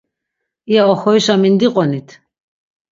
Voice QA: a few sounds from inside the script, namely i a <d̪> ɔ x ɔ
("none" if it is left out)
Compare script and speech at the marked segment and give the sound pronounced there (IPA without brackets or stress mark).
none